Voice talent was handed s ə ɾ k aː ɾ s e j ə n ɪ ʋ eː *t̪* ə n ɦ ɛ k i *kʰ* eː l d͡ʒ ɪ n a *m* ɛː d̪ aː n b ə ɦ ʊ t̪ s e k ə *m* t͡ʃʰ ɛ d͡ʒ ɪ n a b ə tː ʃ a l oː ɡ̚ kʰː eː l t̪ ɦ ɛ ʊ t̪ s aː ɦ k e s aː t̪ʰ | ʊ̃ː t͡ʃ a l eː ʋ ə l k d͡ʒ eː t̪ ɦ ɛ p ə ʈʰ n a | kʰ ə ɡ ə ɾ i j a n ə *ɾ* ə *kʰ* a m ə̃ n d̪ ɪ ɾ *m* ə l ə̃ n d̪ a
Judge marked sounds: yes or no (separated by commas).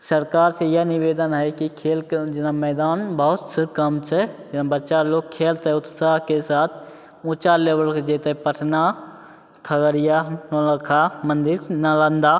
no, yes, yes, yes, no, yes, no